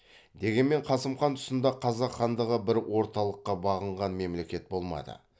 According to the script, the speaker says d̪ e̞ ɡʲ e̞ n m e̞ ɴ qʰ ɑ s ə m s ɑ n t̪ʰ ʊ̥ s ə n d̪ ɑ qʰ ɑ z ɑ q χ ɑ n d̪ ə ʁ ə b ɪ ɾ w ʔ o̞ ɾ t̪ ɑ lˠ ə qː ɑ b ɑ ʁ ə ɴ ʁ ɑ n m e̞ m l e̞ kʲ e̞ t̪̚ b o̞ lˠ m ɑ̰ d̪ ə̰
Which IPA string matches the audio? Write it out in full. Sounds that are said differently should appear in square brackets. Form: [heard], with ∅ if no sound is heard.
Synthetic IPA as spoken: d̪ e̞ ɡʲ e̞ n m e̞ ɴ qʰ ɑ s ə m [χ] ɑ n t̪ʰ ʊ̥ s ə n d̪ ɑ qʰ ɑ z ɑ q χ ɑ n d̪ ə ʁ ə b ɪ ɾ w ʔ o̞ ɾ t̪ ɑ lˠ ə qː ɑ b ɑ ʁ ə ɴ ʁ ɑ n m e̞ m l e̞ kʲ e̞ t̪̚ b o̞ lˠ m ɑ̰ d̪ ə̰